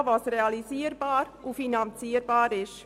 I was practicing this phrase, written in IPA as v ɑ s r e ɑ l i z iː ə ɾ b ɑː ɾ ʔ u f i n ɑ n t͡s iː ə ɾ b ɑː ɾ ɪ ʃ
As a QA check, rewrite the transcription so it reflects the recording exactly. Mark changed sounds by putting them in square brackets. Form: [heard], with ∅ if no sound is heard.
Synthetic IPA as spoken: v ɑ s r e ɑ l i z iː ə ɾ b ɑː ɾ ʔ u f i n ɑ n t͡s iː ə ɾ b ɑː ɾ ɪ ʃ